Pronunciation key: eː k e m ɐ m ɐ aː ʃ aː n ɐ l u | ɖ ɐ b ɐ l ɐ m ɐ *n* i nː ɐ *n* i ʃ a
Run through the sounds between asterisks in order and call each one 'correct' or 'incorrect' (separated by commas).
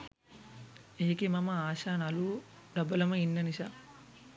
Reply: incorrect, correct